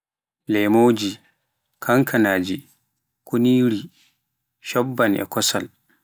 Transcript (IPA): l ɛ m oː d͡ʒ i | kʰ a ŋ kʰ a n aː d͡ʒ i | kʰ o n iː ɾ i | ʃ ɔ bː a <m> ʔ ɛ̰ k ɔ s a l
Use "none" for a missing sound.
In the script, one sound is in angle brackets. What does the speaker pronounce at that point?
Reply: n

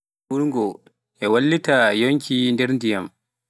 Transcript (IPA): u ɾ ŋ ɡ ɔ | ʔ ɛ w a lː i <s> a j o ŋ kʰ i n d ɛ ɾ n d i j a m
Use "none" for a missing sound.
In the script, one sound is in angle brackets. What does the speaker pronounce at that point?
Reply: t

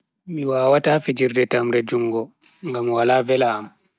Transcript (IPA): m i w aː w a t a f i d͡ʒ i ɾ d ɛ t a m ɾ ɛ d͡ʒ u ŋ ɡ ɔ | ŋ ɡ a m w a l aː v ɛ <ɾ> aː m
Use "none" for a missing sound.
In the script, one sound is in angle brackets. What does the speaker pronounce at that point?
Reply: l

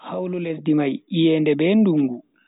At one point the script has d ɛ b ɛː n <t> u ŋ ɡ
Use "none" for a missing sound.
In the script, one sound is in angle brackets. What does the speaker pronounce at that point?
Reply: d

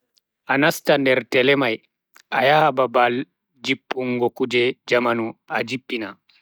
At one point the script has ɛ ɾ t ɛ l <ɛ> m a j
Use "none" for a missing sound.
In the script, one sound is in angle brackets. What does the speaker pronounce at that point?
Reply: ɛ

